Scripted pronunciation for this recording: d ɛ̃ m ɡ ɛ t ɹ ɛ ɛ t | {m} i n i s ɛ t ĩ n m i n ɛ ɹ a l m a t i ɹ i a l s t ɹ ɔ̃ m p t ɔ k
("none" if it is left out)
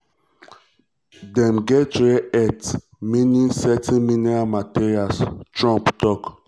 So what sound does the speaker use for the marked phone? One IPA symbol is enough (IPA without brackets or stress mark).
m